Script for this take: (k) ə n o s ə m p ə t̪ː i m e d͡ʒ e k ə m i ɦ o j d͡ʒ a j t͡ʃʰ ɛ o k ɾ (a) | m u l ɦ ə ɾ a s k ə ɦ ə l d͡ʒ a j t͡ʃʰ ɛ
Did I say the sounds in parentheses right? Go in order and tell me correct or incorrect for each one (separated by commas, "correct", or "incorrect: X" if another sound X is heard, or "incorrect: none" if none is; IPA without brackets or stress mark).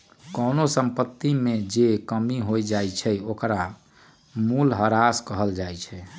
correct, correct